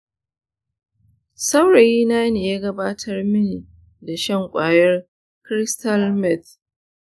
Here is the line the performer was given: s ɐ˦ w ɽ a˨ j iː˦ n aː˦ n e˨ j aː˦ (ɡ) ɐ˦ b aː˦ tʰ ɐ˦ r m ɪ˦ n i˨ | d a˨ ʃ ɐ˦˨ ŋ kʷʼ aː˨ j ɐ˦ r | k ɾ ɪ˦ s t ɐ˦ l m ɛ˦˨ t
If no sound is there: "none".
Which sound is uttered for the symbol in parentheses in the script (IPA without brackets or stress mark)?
ɡ